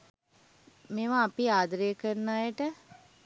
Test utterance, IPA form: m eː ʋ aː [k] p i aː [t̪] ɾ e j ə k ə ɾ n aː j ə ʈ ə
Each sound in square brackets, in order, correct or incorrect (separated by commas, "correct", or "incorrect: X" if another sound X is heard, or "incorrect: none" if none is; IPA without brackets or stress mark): incorrect: none, incorrect: d̪